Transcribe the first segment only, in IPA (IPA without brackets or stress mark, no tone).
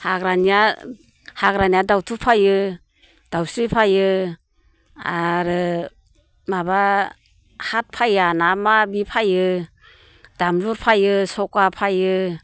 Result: h